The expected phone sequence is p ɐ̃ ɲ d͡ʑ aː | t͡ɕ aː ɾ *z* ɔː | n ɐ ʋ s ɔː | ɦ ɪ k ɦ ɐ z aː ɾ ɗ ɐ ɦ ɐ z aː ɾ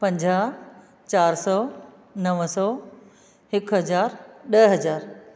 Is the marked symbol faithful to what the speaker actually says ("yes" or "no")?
no